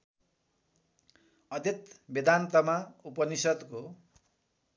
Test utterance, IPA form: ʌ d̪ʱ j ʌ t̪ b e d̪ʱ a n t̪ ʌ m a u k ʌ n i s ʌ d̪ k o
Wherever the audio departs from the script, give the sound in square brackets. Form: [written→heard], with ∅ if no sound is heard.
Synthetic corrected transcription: ʌ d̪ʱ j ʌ t̪ b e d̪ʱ a n t̪ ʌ m a u [k→p] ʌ n i s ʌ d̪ k o